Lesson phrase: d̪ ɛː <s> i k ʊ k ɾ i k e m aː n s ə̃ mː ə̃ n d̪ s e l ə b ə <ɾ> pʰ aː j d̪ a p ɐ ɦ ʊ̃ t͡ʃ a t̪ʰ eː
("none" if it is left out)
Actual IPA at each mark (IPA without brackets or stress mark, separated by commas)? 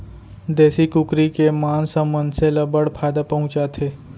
s, ɽ